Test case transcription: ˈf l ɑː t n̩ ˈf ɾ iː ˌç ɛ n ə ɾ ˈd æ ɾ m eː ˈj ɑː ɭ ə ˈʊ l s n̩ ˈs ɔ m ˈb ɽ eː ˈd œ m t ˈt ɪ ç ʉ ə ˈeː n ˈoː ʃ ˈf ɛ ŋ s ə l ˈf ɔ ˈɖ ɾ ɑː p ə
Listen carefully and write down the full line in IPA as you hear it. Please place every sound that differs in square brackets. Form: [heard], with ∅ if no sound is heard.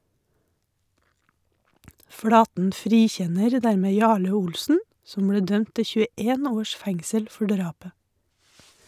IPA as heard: ˈf [ɽ] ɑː t n̩ ˈf ɾ iː ˌç ɛ n ə ɾ ˈd æ ɾ m eː ˈj ɑː ɭ ə ˈʊ l s n̩ ˈs ɔ m ˈb ɽ eː ˈd œ m t ˈt ɪ ç ʉ ə ˈeː n ˈoː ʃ ˈf ɛ ŋ s ə l ˈf ɔ ˈɖ ɾ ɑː p ə